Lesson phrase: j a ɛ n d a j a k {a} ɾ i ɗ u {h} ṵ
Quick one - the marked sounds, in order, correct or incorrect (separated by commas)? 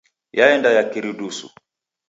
incorrect, incorrect